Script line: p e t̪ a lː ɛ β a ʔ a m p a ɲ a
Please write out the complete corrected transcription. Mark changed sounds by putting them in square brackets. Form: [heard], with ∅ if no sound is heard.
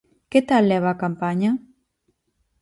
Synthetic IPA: [k] e t̪ a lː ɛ β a [k] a m p a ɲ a